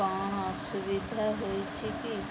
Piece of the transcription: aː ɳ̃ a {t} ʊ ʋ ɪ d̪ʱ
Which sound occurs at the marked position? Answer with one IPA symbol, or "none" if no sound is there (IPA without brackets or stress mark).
s